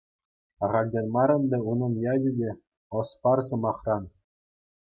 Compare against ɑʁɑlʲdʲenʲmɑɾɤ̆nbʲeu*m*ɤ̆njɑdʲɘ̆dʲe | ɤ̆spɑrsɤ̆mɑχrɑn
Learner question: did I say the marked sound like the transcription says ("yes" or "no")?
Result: no